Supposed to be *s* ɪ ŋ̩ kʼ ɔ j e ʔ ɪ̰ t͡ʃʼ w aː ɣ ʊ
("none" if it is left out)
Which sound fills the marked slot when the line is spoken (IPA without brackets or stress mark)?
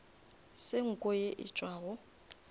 s